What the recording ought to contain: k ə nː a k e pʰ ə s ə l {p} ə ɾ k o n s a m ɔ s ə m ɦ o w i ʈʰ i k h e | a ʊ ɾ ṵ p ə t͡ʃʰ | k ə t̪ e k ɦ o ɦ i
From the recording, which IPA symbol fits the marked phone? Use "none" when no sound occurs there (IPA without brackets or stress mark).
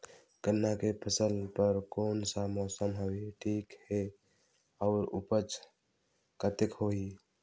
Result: p